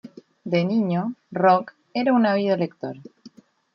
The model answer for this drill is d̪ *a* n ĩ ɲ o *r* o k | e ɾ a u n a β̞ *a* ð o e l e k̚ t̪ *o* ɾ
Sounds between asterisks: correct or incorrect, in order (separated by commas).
incorrect, correct, incorrect, correct